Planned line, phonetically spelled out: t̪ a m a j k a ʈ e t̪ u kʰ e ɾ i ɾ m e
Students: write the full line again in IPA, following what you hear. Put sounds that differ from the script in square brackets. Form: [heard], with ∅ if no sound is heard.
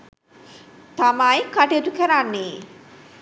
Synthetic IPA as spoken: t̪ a m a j k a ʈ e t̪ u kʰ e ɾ [a] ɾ [n] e